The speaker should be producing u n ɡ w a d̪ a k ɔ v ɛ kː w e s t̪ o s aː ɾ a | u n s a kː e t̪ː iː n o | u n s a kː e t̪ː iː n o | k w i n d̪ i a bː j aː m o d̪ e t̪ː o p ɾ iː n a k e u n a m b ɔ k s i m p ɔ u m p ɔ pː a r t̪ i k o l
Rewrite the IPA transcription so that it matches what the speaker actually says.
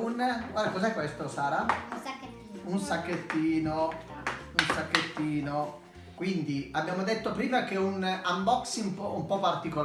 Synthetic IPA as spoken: u n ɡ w a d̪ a k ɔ z ɛ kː w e s t̪ o s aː ɾ a | u n s a kː e t̪ː iː n o | u n s a kː e t̪ː iː n o | k w i n d̪ i a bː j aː m o d̪ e t̪ː o p ɾ iː m a k e u n a m b ɔ k s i m p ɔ u m p ɔ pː a r t̪ i k o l